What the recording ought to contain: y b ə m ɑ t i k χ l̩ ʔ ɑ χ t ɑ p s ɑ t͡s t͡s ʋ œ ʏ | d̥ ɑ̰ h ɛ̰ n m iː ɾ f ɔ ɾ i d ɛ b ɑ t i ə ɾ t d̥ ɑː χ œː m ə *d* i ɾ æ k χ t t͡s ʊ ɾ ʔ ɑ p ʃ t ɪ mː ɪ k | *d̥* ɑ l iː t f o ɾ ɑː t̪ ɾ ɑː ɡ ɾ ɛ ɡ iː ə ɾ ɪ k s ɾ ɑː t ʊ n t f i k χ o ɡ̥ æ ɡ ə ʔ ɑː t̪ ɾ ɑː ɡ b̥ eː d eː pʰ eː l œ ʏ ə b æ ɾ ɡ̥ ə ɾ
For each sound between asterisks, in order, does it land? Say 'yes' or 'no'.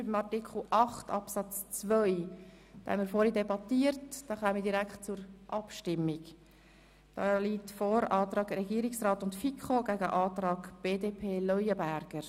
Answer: yes, yes

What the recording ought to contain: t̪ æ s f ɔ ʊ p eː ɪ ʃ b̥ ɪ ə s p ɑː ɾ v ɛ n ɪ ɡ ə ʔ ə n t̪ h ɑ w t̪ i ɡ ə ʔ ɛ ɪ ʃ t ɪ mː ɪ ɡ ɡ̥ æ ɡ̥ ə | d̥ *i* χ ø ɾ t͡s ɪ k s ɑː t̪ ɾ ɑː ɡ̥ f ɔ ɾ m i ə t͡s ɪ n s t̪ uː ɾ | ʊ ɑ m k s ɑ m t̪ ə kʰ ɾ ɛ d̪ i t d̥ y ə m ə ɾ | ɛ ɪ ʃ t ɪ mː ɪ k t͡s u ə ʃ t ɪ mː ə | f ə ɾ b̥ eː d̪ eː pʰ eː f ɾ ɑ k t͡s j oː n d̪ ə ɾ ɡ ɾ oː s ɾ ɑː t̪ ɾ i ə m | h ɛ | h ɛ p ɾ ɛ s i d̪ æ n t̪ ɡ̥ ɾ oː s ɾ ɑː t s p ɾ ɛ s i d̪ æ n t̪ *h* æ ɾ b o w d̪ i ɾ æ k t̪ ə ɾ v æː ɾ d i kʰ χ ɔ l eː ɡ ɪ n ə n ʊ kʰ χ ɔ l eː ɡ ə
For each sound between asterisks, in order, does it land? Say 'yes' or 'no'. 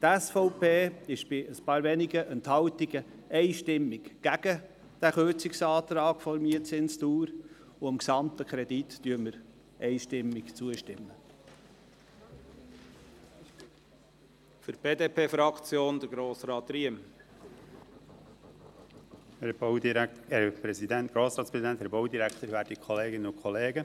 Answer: no, yes

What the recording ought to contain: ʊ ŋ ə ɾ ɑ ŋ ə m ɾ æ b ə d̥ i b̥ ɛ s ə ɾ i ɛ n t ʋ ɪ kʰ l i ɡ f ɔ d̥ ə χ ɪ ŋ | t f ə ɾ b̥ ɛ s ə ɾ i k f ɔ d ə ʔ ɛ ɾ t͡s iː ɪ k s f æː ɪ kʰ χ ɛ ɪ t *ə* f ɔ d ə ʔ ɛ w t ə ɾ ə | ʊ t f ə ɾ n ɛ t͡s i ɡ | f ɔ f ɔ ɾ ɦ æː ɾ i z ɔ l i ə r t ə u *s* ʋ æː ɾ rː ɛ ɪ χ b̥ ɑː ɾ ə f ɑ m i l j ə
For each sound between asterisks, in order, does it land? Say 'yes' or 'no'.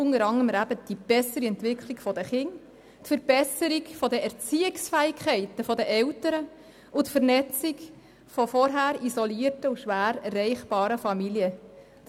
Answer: yes, no

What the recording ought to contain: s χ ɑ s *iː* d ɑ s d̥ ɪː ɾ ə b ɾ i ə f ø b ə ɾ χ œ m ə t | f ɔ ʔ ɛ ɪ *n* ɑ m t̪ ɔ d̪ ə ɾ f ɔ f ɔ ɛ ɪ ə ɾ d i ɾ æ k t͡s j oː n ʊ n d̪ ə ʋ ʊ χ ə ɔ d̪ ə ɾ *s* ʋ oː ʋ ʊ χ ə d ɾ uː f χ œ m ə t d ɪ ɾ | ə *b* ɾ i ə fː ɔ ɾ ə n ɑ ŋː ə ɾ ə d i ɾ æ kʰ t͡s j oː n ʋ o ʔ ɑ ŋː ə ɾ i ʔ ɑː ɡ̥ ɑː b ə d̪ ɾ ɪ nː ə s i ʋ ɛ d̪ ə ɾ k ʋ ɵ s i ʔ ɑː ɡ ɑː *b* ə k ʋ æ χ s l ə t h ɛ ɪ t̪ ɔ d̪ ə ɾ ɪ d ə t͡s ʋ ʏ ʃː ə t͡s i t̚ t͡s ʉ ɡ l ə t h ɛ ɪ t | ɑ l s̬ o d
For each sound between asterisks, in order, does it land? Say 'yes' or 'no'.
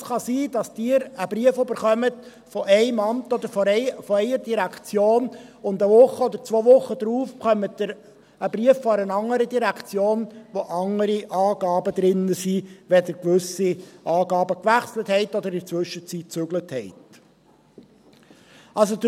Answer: yes, no, no, yes, yes

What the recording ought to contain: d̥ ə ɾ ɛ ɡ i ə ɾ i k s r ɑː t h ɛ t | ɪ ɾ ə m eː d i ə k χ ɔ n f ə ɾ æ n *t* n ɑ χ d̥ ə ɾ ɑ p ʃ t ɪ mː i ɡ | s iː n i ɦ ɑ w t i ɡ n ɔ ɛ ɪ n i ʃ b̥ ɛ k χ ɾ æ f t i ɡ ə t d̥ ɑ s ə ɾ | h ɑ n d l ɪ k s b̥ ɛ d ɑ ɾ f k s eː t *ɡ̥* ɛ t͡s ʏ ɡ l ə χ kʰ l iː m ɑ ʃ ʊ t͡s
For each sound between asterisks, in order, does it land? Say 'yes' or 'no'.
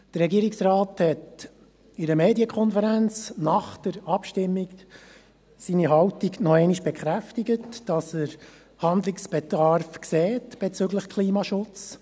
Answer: no, no

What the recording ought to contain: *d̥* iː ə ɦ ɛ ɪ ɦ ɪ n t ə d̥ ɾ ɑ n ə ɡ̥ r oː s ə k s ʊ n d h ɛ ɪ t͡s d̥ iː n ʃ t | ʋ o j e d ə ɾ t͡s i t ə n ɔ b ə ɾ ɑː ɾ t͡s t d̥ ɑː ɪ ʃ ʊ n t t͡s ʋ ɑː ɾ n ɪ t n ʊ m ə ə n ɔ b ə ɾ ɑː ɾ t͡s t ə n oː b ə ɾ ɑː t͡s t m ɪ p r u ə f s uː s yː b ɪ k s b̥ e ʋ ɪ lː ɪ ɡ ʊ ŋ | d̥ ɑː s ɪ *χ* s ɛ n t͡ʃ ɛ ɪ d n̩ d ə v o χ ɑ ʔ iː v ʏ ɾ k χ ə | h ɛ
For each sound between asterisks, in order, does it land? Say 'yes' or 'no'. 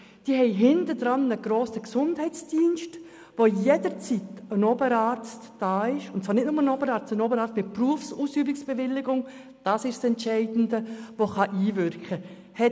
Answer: yes, no

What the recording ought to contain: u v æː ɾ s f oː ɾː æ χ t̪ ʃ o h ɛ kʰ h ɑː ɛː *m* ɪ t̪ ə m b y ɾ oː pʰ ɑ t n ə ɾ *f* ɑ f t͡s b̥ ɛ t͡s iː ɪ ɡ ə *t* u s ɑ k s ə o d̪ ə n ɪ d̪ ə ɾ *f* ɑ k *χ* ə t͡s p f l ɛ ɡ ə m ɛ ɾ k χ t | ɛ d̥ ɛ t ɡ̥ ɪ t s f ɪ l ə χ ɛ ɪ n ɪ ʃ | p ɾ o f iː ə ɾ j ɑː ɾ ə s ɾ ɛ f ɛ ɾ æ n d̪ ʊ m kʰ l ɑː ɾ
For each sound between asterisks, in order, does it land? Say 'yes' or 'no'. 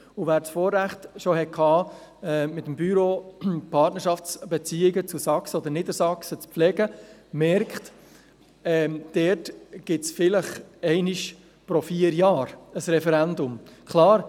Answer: yes, no, no, no, no

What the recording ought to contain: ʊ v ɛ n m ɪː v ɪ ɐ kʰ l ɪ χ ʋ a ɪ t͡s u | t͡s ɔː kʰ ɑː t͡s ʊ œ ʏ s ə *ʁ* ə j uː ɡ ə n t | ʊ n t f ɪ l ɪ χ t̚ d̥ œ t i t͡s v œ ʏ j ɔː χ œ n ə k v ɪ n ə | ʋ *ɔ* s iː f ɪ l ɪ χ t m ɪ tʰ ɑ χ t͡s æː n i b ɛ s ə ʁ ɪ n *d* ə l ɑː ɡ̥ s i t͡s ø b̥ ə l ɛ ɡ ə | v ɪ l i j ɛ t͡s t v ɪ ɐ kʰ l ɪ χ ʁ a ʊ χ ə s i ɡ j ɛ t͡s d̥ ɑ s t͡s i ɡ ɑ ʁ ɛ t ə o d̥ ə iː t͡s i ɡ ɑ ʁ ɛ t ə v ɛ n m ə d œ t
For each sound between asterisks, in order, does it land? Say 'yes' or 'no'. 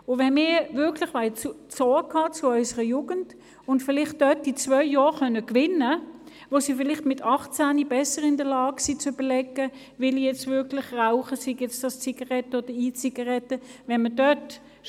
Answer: yes, no, yes

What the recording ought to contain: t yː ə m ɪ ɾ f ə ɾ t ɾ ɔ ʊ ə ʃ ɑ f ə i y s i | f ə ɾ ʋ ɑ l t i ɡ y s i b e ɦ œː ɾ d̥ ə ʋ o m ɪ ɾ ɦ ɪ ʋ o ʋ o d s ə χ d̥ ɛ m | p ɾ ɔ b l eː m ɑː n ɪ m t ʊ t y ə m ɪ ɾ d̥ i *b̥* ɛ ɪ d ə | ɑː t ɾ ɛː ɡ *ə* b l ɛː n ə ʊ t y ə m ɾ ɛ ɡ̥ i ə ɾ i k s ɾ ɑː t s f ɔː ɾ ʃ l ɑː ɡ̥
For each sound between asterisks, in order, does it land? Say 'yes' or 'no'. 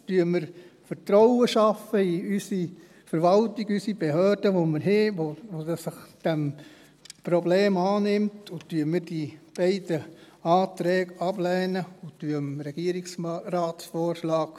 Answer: yes, no

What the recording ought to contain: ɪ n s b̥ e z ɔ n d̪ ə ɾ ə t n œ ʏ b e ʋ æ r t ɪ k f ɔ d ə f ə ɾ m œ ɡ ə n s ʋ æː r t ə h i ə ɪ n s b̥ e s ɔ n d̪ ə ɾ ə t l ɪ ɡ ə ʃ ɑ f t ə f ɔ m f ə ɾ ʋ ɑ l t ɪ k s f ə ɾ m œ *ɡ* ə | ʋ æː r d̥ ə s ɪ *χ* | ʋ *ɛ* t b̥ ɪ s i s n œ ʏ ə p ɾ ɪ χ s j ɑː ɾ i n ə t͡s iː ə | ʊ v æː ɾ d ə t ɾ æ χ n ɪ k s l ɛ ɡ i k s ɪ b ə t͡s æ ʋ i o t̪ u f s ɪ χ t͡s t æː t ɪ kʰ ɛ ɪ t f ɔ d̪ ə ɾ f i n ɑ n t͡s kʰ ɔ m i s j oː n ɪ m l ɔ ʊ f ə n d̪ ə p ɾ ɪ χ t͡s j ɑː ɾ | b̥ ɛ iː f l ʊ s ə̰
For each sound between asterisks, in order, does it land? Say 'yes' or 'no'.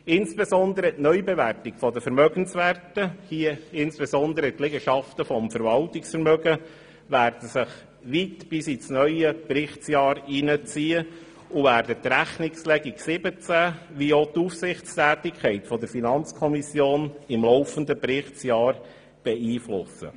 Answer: yes, yes, no

